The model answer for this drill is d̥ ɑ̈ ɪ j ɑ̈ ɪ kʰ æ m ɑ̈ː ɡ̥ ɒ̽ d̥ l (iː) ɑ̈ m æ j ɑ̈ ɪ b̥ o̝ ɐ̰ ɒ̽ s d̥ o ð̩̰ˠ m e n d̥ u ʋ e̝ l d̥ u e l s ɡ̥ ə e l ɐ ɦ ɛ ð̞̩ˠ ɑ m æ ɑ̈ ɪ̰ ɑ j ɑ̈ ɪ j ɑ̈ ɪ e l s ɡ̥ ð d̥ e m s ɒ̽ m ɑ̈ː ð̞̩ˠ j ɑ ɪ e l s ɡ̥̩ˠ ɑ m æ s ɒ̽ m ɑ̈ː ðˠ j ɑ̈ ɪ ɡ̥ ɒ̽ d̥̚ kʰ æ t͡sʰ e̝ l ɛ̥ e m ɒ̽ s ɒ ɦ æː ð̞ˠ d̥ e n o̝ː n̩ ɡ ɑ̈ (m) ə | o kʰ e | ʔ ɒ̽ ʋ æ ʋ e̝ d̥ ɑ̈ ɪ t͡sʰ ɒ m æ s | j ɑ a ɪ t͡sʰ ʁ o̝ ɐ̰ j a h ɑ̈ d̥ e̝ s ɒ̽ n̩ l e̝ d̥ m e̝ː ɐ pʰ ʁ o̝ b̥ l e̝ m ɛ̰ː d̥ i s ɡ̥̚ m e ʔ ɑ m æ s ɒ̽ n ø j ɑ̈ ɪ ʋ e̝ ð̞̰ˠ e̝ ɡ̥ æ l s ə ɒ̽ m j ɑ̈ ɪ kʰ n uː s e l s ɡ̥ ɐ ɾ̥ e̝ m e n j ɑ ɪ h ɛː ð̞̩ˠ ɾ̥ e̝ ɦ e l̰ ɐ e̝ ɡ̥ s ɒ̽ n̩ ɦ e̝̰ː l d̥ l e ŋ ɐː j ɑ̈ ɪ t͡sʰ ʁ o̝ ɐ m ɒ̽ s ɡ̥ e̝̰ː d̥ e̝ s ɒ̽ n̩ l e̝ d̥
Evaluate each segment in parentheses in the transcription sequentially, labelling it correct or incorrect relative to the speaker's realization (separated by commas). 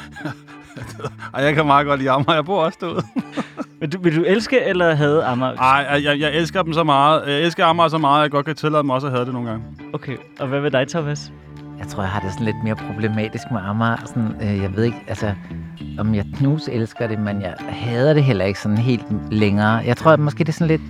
correct, incorrect